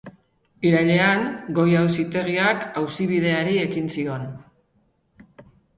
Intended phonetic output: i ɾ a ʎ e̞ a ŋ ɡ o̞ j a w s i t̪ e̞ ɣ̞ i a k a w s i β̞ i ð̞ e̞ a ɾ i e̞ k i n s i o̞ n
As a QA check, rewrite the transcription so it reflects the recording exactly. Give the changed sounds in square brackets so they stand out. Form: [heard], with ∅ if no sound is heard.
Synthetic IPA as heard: i ɾ a ʎ e̞ a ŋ ɡ o̞ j a w s i t̪ e̞ ɣ̞ i a k a w s i β̞ i ð̞ e̞ a ɾ i e̞ k i n s i o̞ n